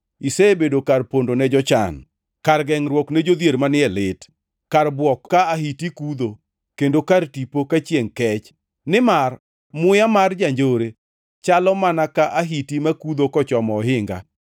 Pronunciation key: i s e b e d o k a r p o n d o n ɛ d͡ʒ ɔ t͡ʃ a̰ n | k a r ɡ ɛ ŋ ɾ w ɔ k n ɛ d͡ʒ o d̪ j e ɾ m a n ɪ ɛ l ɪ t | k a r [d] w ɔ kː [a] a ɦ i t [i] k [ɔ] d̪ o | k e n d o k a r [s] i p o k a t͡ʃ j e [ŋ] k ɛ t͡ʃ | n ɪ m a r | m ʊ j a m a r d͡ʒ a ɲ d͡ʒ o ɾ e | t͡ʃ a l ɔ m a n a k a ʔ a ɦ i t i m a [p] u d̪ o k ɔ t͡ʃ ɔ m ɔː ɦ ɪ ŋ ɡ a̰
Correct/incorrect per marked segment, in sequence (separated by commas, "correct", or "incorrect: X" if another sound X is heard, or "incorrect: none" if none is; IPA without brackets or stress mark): incorrect: b, correct, correct, incorrect: u, incorrect: t, correct, incorrect: k